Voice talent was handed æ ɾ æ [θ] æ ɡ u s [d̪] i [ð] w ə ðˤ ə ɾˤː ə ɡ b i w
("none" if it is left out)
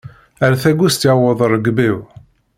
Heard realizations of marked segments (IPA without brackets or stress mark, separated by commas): θ, t̪, ʕ